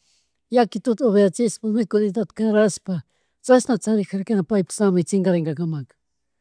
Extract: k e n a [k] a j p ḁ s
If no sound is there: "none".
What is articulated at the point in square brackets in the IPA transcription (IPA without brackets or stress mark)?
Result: p